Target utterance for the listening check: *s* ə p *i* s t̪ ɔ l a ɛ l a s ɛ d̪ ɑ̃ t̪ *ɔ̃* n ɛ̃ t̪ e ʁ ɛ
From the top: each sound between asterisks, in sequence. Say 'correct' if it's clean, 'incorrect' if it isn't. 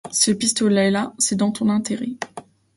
correct, correct, correct

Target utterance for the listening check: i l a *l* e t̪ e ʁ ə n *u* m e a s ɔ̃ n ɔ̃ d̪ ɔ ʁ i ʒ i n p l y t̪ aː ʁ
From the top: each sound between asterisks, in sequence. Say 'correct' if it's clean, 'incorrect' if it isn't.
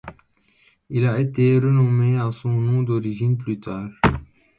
incorrect: none, incorrect: ɔ

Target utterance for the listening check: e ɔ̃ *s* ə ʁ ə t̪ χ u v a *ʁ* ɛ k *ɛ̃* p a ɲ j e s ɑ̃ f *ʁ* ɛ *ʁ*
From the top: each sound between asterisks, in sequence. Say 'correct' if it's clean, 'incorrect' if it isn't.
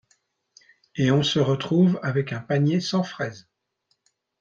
correct, incorrect: v, correct, incorrect: χ, incorrect: z

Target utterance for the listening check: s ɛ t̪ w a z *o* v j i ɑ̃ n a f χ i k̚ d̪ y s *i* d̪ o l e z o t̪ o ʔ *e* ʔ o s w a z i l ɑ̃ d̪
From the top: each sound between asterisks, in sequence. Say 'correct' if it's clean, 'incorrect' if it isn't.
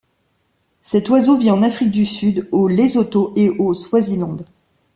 correct, incorrect: y, correct

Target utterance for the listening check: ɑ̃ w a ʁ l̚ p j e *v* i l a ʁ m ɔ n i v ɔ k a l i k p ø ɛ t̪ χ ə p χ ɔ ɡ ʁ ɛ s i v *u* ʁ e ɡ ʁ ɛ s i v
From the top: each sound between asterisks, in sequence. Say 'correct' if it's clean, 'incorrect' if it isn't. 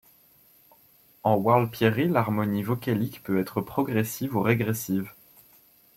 incorrect: ʁ, correct

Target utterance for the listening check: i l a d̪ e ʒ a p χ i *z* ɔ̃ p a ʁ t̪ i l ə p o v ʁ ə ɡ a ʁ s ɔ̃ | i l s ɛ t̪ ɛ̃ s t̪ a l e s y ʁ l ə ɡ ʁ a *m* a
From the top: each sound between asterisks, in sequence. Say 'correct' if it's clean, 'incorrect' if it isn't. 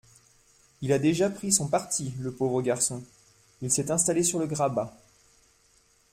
incorrect: s, incorrect: b

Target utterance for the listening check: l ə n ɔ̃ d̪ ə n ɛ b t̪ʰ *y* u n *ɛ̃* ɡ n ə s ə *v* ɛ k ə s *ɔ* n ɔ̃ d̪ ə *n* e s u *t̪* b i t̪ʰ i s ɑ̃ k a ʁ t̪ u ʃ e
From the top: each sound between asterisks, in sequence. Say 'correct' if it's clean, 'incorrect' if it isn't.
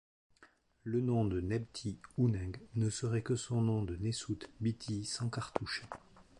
incorrect: i, correct, incorrect: ʁ, incorrect: ɔ̃, correct, correct

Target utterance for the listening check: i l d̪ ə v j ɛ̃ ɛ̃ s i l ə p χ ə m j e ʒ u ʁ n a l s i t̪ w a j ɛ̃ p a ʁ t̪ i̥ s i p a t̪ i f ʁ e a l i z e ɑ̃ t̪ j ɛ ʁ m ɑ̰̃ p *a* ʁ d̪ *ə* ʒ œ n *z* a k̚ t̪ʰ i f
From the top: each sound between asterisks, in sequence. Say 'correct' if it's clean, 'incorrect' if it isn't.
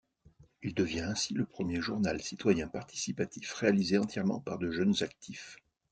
correct, correct, correct

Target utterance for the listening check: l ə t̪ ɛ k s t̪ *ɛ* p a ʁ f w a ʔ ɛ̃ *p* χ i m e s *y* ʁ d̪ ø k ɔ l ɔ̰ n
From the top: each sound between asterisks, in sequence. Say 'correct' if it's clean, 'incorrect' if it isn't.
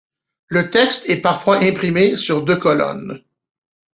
correct, correct, correct

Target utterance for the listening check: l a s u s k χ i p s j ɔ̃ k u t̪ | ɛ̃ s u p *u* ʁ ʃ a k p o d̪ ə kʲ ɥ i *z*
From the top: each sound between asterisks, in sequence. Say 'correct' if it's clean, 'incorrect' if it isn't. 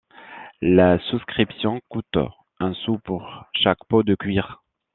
correct, incorrect: ʁ

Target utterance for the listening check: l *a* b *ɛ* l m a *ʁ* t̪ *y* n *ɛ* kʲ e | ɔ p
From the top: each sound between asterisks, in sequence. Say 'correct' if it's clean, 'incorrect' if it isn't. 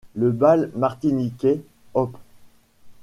incorrect: ə, incorrect: a, correct, incorrect: i, incorrect: i

